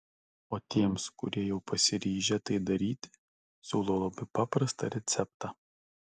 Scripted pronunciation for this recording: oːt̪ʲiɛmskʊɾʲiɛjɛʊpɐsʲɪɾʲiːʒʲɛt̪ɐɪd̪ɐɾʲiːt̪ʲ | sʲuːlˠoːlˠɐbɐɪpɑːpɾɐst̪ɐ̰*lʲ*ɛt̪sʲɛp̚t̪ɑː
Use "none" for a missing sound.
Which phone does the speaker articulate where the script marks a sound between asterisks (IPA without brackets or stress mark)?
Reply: ɾʲ